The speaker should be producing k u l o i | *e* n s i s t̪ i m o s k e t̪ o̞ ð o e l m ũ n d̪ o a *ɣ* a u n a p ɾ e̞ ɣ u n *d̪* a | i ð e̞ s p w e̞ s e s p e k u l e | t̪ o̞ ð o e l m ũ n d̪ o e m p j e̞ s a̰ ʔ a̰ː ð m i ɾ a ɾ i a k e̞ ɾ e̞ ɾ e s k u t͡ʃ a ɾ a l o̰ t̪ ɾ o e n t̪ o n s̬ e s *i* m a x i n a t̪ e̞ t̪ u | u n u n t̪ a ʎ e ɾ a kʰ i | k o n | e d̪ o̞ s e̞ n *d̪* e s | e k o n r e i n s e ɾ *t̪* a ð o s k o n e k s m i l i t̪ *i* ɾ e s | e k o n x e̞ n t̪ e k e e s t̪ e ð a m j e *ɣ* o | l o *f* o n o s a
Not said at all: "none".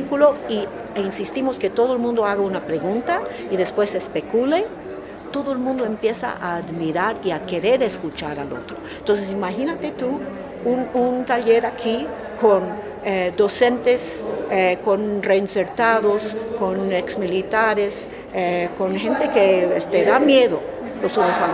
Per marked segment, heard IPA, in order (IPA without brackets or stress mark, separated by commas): i, ɣ, t̪, i, t̪, t̪, a, ð, s